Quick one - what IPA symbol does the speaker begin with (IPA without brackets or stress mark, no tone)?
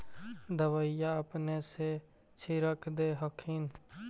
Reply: d̪